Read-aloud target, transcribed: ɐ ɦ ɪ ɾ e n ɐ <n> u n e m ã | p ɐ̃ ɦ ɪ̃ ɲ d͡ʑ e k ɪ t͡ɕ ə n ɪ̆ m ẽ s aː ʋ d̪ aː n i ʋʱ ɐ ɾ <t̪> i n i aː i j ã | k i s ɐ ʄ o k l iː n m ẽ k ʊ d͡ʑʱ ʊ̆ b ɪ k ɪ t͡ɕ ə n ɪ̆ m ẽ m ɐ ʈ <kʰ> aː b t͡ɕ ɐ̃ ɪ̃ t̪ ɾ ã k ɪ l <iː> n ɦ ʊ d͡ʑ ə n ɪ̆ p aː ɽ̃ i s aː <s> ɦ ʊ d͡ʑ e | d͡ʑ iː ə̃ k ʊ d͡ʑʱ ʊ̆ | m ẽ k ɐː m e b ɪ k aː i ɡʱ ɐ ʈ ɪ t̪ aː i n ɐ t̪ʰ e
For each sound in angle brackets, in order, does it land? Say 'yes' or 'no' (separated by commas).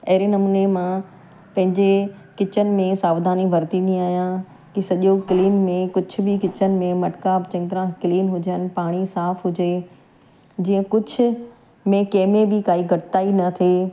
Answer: no, yes, no, yes, no